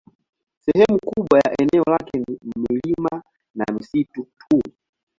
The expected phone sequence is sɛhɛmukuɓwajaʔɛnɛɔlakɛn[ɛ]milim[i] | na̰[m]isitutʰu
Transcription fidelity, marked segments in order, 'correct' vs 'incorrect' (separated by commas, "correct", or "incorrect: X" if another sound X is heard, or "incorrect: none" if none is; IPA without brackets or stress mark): incorrect: i, incorrect: a, correct